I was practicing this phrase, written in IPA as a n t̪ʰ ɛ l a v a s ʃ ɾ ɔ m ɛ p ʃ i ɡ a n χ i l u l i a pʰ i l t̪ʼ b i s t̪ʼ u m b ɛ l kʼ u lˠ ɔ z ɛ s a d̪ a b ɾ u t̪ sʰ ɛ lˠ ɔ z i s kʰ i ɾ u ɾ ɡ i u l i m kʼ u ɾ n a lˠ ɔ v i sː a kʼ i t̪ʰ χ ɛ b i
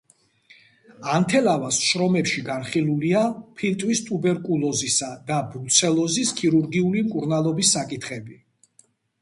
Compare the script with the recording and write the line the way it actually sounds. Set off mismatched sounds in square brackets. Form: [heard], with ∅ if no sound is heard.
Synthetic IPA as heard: a n t̪ʰ ɛ l a v a s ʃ ɾ ɔ m ɛ p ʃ i ɡ a n χ i l u l i a pʰ i l t̪ʼ [w] i s t̪ʼ u [∅] b ɛ [ɾ] kʼ u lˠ ɔ z [i] s a d̪ a b ɾ u t̪ sʰ ɛ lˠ ɔ z i s kʰ i ɾ u ɾ ɡ i u l i m kʼ u ɾ n a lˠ ɔ [b] i sː a kʼ i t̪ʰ χ ɛ b i